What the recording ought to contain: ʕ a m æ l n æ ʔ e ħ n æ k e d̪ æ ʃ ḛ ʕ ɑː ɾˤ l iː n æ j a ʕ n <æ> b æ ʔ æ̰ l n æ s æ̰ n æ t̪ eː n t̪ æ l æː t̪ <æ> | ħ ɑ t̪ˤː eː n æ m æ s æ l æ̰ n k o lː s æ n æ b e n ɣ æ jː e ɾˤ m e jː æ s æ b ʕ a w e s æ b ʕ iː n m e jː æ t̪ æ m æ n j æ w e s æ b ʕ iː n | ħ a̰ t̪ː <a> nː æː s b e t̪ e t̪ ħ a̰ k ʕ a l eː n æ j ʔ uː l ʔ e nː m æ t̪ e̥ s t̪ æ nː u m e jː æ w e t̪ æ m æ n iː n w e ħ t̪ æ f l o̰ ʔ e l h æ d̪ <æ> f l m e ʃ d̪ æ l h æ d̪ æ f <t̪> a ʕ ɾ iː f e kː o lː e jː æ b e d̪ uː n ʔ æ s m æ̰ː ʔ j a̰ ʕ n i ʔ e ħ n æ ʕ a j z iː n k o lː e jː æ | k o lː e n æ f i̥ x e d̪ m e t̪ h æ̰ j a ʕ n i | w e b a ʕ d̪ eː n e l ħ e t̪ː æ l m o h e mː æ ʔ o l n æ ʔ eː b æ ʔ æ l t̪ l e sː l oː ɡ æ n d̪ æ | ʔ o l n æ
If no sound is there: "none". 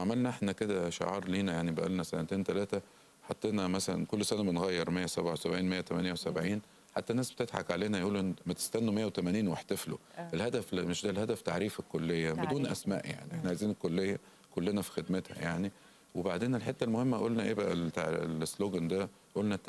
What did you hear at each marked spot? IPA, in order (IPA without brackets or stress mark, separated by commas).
i, æ, æ, æ, t̪